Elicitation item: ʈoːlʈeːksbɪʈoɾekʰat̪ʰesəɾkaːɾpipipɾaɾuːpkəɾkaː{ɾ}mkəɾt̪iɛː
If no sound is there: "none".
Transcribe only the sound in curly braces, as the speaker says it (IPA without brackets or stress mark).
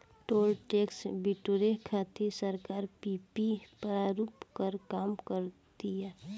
none